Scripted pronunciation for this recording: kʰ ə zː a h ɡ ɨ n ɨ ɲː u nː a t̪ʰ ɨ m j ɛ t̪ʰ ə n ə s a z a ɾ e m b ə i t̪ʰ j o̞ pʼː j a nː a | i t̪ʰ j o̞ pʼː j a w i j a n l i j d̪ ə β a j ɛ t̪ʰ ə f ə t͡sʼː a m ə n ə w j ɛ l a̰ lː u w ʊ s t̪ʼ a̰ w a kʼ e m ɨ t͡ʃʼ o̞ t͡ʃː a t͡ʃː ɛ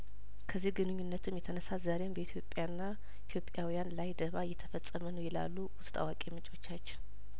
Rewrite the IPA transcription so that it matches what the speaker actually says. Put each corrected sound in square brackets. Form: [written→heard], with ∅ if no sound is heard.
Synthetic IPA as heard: kʰ ə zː [a→i] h ɡ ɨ n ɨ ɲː u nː [a→ə] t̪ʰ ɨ m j ɛ t̪ʰ ə n ə s a z a ɾ e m b ə i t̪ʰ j o̞ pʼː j a nː a | i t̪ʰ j o̞ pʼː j a w i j a n l [i→a] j d̪ ə β a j ɛ t̪ʰ ə f ə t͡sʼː [a→ə] m ə n ə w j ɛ l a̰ lː u w ʊ s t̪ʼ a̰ w a kʼ e m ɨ t͡ʃʼ o̞ t͡ʃː a t͡ʃː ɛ